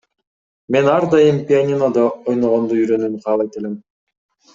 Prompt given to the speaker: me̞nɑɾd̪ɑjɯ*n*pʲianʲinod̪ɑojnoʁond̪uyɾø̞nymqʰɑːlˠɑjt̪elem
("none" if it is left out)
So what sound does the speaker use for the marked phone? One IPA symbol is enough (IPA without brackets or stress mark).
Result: m